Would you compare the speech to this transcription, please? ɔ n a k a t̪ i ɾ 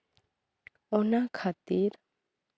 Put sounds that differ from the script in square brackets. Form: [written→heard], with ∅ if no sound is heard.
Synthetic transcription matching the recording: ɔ n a [k→kʰ] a t̪ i ɾ